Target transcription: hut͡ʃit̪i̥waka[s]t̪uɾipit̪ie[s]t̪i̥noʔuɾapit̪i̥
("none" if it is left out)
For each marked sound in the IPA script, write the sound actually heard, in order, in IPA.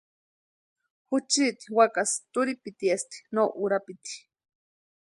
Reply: s, s

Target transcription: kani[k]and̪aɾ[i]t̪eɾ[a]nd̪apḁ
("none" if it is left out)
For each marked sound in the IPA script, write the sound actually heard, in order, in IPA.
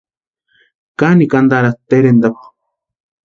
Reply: k, a, e

